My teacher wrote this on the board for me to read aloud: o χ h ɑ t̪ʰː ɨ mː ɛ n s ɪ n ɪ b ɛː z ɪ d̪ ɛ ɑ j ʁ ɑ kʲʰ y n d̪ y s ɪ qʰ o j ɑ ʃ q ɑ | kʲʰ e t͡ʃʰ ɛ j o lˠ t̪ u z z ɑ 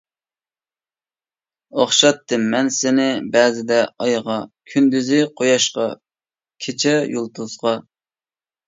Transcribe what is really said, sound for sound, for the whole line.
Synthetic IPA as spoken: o χ ʃ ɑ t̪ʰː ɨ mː ɛ n s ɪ n ɪ b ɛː z ɪ d̪ ɛ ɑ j ʁ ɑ kʲʰ y n d̪ y z ɪ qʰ o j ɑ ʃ q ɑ | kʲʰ e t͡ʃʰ ɛ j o lˠ t̪ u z ʁ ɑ

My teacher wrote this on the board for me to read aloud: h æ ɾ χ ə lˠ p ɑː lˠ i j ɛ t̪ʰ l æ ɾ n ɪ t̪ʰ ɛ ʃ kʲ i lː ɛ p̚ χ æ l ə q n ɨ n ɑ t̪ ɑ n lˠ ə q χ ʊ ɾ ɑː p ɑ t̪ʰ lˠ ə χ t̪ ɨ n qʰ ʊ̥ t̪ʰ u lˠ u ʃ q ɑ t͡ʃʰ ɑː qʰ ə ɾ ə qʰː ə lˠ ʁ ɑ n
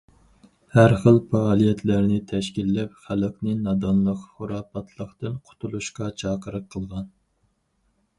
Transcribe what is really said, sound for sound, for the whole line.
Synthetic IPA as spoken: h æ ɾ χ ə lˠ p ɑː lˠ i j ɛ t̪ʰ l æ ɾ n ɪ t̪ʰ ɛ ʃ kʲ i lː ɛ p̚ χ æ l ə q n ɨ n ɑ d̪ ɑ n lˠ ə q χ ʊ ɾ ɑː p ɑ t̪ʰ lˠ ə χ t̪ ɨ n qʰ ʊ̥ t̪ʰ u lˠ u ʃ q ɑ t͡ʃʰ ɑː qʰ ə ɾ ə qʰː ə lˠ ʁ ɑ n

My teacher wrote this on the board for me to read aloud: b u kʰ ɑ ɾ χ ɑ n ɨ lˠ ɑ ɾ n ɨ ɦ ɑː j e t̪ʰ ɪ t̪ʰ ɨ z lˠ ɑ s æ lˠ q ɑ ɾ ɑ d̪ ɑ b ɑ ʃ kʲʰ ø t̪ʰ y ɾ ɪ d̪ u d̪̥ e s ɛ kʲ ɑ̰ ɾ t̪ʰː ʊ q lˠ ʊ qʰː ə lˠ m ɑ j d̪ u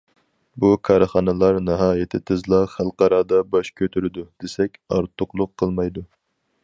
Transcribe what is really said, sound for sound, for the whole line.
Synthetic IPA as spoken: b u kʰ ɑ ɾ χ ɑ n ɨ lˠ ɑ ɾ n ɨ ɦ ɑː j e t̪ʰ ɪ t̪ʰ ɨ z lˠ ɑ χ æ lˠ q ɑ ɾ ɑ d̪ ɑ b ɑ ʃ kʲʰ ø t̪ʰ y ɾ ɪ d̪ u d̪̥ e s ɛ kʲ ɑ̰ ɾ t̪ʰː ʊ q lˠ ʊ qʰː ə lˠ m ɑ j d̪ u

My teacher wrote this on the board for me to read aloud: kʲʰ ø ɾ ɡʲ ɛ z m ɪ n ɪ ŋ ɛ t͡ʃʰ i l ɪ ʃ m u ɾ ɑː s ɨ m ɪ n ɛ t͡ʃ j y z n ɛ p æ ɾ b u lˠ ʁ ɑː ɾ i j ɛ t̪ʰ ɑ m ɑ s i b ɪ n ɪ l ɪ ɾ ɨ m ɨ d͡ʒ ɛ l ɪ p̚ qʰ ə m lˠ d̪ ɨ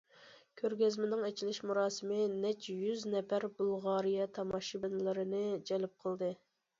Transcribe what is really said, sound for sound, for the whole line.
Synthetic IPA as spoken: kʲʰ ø ɾ ɡʲ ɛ z m ɪ n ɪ ŋ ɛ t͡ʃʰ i l ɪ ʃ m u ɾ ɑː s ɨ m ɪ n ɛ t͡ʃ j y z n ɛ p æ ɾ b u lˠ ʁ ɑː ɾ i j ɛ t̪ʰ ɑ m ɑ ʃ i b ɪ n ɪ l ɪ ɾ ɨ n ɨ d͡ʒ ɛ l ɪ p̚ qʰ ə lˠ d̪ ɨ

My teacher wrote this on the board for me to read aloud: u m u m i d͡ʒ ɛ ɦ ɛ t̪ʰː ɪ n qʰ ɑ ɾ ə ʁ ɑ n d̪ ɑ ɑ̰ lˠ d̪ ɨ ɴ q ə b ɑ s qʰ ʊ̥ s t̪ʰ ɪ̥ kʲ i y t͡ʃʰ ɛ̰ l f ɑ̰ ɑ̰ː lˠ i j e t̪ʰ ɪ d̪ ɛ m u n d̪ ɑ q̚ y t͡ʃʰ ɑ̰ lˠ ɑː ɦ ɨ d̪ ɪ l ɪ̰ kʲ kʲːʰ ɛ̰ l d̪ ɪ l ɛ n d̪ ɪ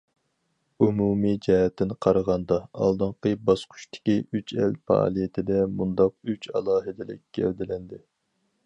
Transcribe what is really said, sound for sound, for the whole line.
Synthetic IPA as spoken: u m u m i d͡ʒ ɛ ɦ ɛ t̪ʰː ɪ n qʰ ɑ ɾ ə ʁ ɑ n d̪ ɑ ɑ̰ lˠ d̪ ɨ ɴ q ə b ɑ s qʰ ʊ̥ ʃ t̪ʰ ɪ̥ kʲ i y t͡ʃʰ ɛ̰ l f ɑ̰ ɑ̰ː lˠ i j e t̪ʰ ɪ d̪ ɛ m u n d̪ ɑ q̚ y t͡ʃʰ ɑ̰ lˠ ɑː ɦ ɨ d̪ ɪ l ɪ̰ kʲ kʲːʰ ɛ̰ l d̪ ɪ l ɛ n d̪ ɪ

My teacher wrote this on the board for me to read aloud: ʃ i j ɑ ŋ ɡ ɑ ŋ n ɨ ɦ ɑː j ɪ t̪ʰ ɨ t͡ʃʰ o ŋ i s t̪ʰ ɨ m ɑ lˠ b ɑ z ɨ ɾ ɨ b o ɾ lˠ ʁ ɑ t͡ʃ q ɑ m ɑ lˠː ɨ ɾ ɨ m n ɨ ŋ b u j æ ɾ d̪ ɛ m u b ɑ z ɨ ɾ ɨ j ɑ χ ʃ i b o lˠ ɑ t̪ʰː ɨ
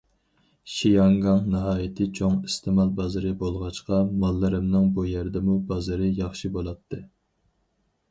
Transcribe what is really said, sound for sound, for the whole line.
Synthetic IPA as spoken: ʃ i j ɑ ŋ ɡ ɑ ŋ n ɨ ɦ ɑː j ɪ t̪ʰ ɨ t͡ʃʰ o ŋ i s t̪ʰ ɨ m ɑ lˠ b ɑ z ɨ ɾ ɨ b o lˠ ʁ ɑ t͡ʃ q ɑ m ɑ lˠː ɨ ɾ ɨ m n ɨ ŋ b u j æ ɾ d̪ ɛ m u b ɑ z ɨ ɾ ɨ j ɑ χ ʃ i b o lˠ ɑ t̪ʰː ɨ

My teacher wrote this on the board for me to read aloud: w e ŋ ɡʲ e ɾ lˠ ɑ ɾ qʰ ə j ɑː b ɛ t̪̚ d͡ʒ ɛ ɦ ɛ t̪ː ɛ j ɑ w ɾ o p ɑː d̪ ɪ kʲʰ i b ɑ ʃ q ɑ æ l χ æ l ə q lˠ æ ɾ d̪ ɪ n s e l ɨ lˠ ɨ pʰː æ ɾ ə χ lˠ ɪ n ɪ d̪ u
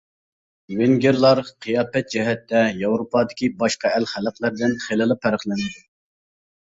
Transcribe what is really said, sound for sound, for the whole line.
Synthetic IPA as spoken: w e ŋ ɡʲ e ɾ lˠ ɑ ɾ qʰ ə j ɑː p ɛ t̪̚ d͡ʒ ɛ ɦ ɛ t̪ː ɛ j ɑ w ɾ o p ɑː d̪ ɪ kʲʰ i b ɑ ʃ q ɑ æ l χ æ l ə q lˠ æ ɾ d̪ ɪ n χ e l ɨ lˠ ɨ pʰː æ ɾ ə χ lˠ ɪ n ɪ d̪ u

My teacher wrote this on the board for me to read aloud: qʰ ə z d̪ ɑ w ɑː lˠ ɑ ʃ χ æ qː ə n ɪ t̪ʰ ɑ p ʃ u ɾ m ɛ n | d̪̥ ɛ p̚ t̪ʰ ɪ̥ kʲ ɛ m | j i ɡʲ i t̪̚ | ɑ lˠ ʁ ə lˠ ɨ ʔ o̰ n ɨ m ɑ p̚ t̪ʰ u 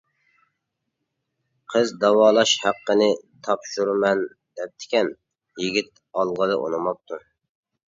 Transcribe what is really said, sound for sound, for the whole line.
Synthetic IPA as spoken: qʰ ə z d̪ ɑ w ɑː lˠ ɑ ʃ h æ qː ə n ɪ t̪ʰ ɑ p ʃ u ɾ m ɛ n | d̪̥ ɛ p̚ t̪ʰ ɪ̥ kʲ ɛ n | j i ɡʲ i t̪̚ | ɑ lˠ ʁ ə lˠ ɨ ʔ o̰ n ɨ m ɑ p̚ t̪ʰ u

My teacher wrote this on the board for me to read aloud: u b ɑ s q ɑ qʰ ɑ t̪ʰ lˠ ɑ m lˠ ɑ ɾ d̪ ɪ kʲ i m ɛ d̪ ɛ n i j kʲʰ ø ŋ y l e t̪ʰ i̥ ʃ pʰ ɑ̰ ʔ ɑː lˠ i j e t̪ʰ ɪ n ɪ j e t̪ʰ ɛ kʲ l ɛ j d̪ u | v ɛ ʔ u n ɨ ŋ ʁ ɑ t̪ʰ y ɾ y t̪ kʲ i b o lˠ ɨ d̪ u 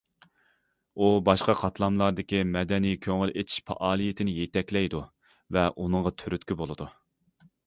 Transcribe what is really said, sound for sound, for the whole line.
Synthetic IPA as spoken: u b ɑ ʃ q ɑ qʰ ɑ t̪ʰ lˠ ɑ m lˠ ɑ ɾ d̪ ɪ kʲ i m ɛ d̪ ɛ n i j kʲʰ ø ŋ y l e t̪ʰ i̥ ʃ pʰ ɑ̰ ʔ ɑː lˠ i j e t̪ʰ ɪ n ɪ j e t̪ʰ ɛ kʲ l ɛ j d̪ u | v ɛ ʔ u n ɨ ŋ ʁ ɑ t̪ʰ y ɾ y t̪ kʲ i b o lˠ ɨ d̪ u

